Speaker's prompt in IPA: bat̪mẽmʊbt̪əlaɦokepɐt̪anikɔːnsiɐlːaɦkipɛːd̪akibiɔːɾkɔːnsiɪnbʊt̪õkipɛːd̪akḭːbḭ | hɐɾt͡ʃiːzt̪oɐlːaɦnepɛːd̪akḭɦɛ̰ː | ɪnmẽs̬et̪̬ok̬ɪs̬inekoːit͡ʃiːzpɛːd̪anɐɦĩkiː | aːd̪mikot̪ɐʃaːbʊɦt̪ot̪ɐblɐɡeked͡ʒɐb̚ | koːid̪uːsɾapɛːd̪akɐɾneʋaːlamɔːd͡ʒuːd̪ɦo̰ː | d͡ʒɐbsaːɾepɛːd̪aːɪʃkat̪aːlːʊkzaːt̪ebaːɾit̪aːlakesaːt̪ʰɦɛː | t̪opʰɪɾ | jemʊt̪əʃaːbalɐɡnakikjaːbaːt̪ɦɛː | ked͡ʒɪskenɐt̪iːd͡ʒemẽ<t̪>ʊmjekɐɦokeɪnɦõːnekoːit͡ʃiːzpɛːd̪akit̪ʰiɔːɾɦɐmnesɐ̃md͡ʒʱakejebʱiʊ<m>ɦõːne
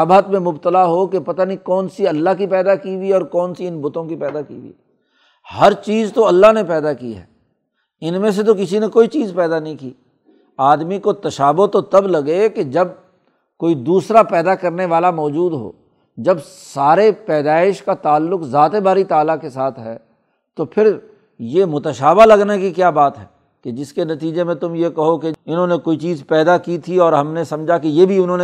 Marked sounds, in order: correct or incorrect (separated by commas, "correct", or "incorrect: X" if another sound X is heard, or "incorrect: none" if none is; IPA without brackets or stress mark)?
correct, incorrect: n